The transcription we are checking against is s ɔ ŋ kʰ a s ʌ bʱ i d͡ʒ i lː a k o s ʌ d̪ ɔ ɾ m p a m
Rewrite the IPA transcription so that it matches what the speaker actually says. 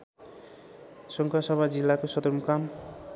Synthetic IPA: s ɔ ŋ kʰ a s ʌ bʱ a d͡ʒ i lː a k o s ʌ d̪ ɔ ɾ m k a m